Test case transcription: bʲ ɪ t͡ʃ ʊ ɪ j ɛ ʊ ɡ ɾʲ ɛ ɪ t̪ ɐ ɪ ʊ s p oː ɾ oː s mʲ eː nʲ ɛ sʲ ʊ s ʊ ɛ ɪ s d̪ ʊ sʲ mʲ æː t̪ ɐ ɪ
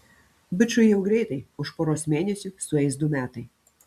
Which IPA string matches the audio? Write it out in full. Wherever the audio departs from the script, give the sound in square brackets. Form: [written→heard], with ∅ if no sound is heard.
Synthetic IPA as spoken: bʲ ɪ t͡ʃ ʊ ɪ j ɛ ʊ ɡ ɾʲ ɛ ɪ t̪ ɐ ɪ ʊ [s→ʃ] p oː ɾ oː s mʲ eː nʲ ɛ sʲ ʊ s ʊ ɛ ɪ s d̪ ʊ [sʲ→∅] mʲ æː t̪ ɐ ɪ